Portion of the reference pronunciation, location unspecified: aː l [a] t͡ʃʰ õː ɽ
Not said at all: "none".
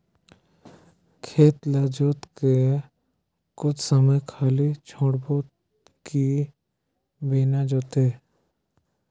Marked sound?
i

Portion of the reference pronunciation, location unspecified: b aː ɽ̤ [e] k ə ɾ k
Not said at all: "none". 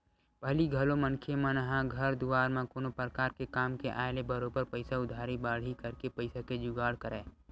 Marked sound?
i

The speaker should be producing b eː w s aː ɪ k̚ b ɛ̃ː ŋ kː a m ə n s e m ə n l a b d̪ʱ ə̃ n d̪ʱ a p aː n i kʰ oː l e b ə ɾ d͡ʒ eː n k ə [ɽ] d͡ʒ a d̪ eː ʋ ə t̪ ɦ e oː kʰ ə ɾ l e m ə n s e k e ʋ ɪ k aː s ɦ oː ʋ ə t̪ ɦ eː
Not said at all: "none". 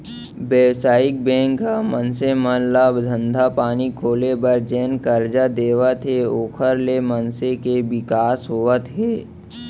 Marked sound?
ɾ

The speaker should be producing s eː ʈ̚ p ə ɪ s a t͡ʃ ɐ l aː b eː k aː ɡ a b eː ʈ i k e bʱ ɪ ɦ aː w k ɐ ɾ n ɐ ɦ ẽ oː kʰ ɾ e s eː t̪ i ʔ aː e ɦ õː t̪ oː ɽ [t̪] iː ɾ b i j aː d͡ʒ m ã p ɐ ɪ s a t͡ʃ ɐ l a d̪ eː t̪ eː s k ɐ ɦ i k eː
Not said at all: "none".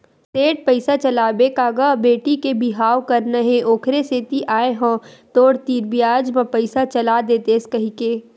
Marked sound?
t̪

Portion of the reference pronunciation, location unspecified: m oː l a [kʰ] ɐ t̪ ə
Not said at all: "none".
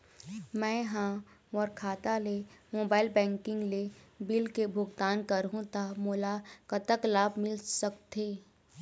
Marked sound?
k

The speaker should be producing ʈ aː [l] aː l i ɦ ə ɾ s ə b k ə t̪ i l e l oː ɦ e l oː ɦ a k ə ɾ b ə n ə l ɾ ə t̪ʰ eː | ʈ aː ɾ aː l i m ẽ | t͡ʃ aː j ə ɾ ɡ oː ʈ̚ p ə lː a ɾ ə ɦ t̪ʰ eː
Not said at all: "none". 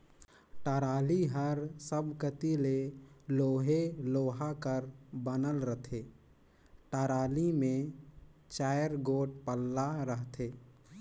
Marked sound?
ɾ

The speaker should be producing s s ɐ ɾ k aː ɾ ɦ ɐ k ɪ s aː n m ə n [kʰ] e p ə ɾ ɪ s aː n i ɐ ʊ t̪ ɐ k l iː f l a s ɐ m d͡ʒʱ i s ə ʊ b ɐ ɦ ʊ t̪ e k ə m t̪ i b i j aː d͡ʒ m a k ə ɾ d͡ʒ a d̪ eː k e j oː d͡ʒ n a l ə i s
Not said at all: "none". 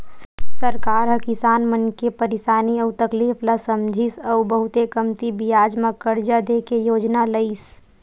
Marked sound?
k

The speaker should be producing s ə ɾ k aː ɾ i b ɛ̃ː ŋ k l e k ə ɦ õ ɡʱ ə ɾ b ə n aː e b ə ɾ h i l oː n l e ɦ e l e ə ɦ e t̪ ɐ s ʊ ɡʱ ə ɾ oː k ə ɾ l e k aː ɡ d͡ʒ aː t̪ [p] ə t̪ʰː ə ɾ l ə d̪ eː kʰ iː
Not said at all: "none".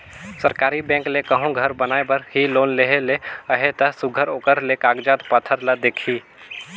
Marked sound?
p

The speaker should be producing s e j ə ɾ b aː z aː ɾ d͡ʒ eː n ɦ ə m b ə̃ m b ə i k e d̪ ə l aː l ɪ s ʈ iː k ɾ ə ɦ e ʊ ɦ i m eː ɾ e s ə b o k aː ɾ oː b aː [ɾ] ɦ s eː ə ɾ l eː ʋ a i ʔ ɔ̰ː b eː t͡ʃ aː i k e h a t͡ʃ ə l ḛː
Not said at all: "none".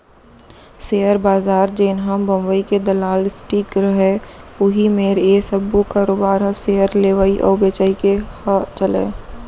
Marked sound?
ɾ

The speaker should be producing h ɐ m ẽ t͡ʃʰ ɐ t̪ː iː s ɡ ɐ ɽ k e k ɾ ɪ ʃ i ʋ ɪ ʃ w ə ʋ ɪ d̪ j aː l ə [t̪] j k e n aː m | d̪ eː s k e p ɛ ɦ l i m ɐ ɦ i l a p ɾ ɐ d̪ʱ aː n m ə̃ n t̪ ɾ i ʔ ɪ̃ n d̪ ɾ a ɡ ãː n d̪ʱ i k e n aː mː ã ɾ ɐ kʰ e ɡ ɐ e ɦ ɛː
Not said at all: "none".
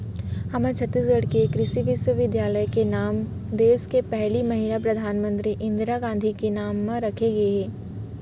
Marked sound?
none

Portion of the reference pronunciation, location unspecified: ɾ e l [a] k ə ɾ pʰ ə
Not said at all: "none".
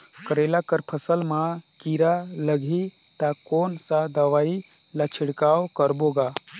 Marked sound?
a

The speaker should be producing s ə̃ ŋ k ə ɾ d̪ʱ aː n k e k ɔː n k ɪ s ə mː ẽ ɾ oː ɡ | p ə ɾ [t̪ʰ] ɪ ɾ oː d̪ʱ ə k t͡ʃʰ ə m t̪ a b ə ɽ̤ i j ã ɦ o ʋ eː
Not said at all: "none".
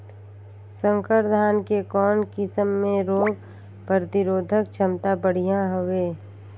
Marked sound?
t̪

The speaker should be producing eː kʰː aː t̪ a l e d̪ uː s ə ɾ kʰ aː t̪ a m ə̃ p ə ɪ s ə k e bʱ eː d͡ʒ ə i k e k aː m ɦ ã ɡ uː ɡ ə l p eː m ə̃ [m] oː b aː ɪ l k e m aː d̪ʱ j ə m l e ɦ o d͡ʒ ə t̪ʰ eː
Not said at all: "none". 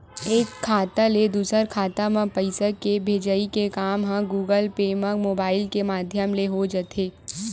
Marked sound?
m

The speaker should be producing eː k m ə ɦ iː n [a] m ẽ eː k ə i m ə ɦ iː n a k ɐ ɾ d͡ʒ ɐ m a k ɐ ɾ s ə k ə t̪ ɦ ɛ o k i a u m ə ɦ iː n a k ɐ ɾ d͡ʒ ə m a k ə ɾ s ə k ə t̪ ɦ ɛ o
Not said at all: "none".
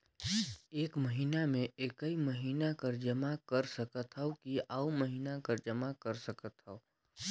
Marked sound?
a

